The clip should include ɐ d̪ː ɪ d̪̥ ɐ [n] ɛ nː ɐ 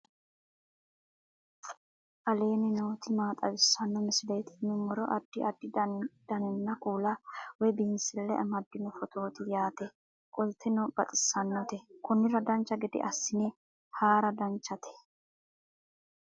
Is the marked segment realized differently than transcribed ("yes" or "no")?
no